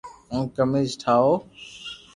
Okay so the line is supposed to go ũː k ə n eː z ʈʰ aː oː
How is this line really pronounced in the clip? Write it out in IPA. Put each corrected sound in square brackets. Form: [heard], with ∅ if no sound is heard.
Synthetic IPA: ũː k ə [m] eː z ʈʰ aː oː